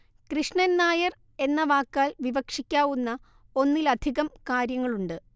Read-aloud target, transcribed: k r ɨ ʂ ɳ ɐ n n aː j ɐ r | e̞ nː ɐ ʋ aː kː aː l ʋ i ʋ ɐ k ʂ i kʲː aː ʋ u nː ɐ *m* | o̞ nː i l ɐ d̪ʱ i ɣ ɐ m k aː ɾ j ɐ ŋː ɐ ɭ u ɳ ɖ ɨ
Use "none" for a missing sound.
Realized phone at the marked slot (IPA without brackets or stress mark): none